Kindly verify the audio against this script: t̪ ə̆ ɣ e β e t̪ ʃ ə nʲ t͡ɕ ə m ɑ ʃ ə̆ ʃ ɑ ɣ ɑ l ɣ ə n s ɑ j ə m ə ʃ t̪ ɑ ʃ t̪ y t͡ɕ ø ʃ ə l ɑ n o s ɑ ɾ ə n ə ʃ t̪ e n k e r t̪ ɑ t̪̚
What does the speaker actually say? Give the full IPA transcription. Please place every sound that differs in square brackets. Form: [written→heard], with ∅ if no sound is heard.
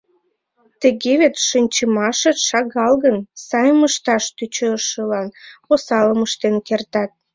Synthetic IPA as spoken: t̪ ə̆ ɣ e β e t̪ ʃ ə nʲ t͡ɕ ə m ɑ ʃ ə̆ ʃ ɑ ɣ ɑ l ɣ ə n s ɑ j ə m ə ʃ t̪ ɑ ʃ t̪ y t͡ɕ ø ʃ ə l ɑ n o s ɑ [ɾ→l] ə [n→m] ə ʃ t̪ e n k e r t̪ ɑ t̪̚